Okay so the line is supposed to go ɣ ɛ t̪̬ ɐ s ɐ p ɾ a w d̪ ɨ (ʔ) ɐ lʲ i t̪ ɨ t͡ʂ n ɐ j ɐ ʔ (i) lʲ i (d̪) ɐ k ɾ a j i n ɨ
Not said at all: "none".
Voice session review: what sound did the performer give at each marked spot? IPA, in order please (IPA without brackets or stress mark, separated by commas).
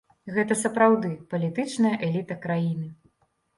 p, ɛ, t̪